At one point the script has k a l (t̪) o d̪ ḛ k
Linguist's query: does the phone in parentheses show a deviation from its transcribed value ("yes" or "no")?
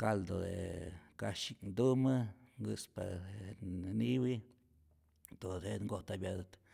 yes